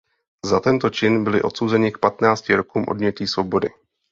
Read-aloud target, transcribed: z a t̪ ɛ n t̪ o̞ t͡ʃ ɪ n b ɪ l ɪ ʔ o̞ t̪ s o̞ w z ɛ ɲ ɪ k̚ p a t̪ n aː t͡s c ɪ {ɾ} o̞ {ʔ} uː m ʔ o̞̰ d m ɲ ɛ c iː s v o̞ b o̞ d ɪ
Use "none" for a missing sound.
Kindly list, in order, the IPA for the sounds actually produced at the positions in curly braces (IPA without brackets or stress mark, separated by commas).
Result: ɾ, k